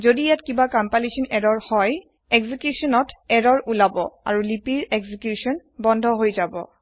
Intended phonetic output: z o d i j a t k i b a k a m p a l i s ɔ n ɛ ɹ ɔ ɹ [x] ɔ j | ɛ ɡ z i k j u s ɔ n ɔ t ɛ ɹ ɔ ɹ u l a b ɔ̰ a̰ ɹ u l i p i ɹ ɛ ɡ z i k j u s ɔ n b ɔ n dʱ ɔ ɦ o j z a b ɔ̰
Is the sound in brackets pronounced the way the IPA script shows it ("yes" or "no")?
no